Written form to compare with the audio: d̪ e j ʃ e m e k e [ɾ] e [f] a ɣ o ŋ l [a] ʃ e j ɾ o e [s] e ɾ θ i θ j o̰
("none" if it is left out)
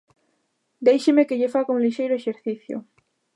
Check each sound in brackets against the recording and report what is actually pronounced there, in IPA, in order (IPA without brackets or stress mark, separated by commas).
ʎ, f, i, ʃ